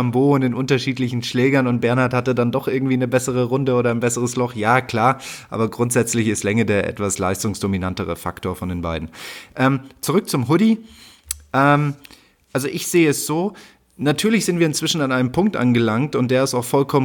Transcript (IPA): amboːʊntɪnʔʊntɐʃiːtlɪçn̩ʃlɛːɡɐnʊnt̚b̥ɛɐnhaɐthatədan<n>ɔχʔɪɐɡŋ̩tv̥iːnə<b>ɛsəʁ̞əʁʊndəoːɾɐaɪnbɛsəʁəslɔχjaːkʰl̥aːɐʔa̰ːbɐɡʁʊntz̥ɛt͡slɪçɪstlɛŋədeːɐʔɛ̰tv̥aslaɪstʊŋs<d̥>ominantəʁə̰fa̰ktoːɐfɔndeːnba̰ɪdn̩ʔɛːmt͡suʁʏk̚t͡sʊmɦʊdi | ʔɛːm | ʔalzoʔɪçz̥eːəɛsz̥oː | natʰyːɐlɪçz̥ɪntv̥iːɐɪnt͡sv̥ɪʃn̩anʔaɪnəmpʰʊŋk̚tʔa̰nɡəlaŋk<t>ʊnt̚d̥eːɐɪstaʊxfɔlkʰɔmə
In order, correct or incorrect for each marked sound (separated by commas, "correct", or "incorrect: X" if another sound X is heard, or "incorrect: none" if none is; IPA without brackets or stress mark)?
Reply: incorrect: d, correct, correct, correct